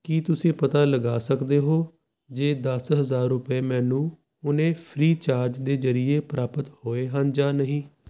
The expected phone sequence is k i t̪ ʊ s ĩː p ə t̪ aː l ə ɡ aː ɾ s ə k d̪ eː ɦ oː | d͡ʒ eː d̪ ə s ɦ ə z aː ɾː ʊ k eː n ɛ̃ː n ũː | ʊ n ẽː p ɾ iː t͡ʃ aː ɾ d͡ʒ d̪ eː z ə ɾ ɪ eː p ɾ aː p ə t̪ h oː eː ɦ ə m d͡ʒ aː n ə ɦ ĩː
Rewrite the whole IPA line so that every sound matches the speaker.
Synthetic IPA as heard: k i t̪ ʊ s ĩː p ə t̪ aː l ə ɡ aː s ə k d̪ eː ɦ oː | d͡ʒ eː d̪ ə s ɦ ə z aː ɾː ʊ p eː m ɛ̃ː n ũː | ʊ n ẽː pʰ ɾ iː t͡ʃ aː ɾ d͡ʒ d̪ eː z ə ɾ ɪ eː p ɾ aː p ə t̪ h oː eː ɦ ə n d͡ʒ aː n ə ɦ ĩː